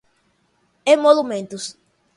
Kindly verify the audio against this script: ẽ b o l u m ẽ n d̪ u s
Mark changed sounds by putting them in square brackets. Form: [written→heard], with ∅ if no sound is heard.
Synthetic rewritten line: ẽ [b→m] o l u m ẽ n [d̪→t̪] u s